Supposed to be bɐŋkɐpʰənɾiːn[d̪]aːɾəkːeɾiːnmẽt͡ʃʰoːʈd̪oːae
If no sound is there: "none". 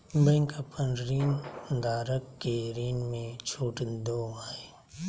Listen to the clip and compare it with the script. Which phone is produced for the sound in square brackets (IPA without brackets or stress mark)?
d̪